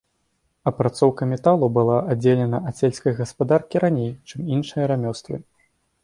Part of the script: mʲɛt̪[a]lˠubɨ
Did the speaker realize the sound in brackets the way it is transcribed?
yes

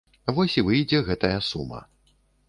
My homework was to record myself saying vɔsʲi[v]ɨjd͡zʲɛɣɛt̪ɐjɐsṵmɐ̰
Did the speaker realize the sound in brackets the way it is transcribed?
yes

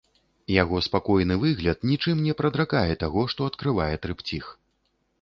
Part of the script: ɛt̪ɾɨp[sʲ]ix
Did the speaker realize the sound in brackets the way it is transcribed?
no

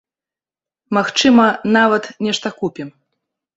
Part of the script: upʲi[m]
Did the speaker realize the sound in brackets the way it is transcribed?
yes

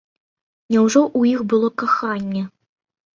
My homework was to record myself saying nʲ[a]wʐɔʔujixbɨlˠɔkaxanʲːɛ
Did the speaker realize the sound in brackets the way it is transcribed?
no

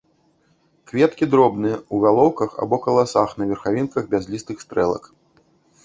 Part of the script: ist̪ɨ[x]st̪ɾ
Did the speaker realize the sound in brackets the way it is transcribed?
yes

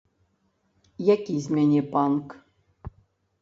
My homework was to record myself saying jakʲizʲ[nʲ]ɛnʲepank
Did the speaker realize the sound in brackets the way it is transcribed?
no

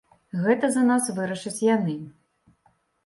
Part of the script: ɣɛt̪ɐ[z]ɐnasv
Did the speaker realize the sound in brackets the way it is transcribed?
yes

